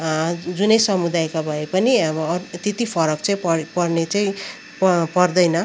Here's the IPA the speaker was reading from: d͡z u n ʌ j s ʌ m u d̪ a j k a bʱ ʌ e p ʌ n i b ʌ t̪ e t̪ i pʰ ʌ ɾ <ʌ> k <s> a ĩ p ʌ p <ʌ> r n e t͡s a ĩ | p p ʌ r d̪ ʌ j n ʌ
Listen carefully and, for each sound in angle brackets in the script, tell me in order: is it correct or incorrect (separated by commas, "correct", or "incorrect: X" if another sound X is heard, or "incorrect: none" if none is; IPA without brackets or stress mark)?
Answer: correct, incorrect: t͡s, correct